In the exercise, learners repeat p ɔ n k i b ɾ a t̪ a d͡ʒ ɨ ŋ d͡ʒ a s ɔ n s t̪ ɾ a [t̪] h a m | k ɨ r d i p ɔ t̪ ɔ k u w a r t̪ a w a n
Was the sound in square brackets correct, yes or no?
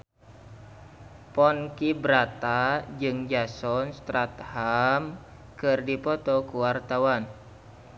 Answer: yes